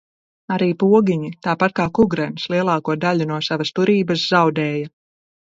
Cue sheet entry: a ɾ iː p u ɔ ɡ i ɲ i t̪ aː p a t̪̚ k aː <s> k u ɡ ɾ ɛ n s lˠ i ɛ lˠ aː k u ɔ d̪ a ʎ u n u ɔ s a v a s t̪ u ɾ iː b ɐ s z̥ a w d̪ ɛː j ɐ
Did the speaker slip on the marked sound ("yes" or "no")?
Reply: yes